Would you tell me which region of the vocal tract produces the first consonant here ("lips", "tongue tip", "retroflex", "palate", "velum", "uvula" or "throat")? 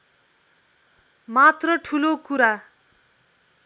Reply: lips